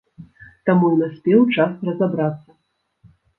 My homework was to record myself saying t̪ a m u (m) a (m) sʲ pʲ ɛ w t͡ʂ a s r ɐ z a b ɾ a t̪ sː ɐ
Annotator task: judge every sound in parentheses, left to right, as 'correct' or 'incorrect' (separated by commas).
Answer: incorrect, incorrect